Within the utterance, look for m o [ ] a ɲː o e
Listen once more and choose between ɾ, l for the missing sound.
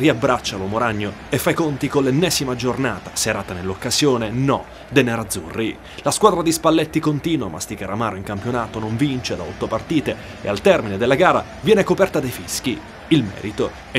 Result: ɾ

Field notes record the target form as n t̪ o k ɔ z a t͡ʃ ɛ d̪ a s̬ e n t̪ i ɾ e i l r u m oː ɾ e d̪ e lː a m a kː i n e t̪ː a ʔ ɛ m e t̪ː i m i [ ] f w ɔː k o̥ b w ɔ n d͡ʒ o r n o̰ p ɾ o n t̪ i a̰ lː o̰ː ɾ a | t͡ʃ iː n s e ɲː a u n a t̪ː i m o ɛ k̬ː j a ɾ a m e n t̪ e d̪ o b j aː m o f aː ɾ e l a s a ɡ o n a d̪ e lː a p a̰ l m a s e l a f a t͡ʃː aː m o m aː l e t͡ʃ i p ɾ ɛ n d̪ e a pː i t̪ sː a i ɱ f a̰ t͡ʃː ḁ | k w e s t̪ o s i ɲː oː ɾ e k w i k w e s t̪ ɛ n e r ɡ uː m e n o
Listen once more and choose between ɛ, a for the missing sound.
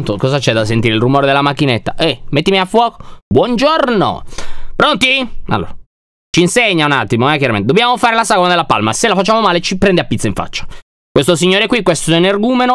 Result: a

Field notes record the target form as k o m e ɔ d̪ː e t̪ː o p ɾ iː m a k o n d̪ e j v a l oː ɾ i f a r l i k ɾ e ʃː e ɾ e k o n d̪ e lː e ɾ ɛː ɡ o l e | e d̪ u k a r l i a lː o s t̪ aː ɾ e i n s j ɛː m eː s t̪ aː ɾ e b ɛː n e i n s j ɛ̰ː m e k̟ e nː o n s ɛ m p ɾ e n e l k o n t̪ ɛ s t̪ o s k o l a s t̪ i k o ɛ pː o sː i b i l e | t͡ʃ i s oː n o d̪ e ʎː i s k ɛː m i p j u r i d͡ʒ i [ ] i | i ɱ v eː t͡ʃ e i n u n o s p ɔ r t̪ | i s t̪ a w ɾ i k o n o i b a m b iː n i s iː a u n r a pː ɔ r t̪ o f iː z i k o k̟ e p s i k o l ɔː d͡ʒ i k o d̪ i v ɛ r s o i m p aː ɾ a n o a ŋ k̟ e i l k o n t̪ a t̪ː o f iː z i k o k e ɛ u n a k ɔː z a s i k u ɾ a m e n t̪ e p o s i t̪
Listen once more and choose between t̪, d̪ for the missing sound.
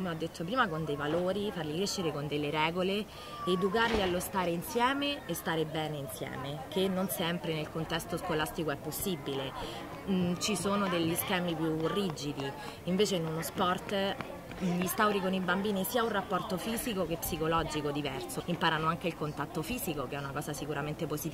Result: d̪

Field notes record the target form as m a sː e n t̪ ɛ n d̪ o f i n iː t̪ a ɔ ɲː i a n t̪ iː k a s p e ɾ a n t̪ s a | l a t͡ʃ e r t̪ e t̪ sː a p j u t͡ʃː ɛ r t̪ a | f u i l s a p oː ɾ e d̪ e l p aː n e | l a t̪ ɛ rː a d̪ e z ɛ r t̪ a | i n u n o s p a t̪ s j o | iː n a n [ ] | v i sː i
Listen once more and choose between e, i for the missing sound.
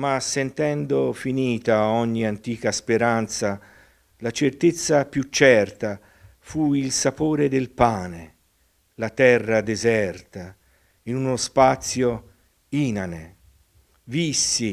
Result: e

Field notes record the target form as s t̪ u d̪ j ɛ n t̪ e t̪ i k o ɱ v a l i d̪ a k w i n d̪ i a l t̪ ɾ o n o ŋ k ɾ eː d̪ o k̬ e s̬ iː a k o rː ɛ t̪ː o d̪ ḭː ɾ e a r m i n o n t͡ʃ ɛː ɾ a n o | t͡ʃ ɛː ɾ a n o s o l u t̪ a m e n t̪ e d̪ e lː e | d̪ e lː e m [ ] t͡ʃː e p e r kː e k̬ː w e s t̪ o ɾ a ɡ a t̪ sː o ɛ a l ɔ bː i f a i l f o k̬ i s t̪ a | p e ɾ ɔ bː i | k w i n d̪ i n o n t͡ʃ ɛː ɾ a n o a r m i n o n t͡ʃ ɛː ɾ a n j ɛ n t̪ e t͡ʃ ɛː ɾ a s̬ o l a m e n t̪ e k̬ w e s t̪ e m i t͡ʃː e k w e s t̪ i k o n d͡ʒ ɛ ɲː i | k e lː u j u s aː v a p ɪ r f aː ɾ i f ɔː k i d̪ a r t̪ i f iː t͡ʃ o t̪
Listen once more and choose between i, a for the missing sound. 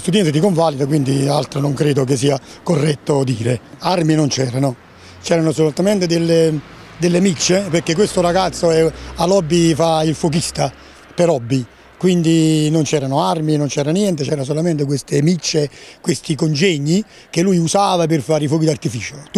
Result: i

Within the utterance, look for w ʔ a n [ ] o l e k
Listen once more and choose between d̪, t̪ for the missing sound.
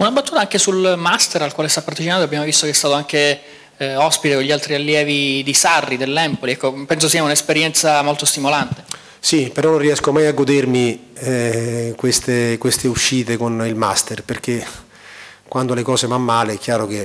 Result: d̪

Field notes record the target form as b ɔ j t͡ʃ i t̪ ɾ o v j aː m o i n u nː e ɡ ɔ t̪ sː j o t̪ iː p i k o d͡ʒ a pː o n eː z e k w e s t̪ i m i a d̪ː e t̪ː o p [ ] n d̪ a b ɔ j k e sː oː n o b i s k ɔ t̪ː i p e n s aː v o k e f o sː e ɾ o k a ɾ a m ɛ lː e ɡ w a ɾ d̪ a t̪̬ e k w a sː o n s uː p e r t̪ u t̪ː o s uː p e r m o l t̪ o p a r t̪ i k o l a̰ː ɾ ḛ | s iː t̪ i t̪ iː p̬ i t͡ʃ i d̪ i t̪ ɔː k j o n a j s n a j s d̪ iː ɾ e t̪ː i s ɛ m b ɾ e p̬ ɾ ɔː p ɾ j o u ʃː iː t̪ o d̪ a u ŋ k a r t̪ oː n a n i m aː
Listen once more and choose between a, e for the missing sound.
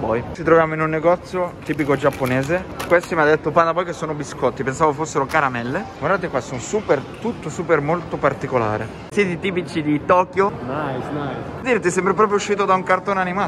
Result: a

